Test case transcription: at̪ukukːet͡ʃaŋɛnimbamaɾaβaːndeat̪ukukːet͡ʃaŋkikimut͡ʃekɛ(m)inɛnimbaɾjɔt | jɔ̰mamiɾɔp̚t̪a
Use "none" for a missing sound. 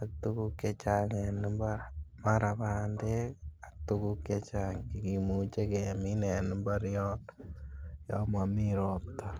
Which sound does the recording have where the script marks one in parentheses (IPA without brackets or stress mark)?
m